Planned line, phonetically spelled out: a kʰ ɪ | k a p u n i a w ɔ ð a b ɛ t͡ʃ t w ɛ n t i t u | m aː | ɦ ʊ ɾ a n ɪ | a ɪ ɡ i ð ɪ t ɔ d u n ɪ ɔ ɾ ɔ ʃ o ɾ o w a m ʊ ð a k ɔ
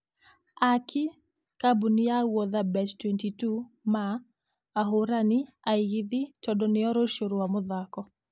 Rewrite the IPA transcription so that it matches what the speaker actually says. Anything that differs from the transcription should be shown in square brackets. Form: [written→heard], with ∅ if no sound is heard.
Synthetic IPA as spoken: a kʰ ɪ | k a [p→b] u n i a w ɔ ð a b ɛ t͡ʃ t w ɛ n t i t u | m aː | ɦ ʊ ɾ a n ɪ | a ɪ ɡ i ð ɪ [t→t͡ʃ] ɔ d [u→ɔ] n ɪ ɔ ɾ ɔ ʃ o ɾ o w a m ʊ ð a k ɔ